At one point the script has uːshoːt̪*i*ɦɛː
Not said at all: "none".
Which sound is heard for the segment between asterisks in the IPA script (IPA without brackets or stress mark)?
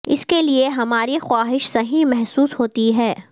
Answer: i